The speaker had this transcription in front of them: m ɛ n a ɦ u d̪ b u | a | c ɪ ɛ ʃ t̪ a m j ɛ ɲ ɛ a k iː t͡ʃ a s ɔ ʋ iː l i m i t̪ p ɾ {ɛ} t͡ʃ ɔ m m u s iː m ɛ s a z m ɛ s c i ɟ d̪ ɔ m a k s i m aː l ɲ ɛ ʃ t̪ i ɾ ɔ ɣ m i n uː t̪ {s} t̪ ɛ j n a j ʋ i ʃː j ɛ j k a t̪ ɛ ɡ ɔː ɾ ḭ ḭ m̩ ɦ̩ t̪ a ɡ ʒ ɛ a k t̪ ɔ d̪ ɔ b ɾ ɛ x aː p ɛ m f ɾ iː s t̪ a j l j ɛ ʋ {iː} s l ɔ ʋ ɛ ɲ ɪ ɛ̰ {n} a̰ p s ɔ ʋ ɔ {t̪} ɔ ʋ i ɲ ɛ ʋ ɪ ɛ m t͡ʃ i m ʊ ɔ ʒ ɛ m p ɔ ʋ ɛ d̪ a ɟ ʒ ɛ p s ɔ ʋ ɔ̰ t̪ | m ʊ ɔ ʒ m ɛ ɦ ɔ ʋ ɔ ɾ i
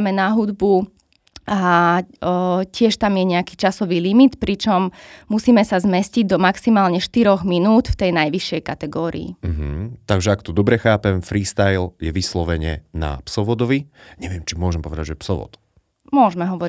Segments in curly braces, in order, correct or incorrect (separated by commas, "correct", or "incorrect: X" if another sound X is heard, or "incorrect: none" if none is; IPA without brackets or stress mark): incorrect: i, incorrect: f, incorrect: i, correct, incorrect: d̪